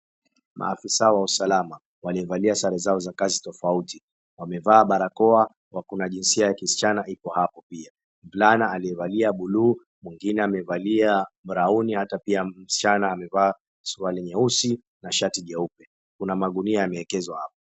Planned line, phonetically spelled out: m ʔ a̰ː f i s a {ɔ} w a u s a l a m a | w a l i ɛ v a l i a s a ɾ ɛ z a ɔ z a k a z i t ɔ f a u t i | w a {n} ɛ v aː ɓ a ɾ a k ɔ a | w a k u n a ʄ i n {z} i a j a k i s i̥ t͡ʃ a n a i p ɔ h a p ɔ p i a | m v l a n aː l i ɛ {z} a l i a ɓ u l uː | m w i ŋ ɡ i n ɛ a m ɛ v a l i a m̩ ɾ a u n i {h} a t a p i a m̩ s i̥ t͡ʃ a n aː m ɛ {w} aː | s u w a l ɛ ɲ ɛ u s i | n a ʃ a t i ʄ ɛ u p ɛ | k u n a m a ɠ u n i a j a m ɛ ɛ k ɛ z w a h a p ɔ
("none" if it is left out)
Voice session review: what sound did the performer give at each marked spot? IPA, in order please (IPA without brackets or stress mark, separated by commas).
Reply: ɔ, m, s, v, h, v